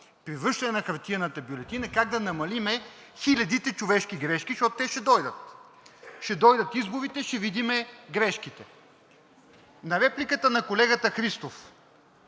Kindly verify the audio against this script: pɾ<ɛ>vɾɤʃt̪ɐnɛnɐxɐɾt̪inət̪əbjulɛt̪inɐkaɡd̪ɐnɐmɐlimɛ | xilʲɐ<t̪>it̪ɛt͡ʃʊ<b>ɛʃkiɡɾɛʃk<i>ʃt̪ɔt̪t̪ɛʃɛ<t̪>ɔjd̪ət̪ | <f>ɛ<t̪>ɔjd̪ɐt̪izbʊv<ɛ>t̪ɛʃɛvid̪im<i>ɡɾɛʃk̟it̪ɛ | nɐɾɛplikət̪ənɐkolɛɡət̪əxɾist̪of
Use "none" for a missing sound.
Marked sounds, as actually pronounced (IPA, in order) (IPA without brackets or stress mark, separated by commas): i, d̪, v, i, d̪, ʃ, d̪, i, ɛ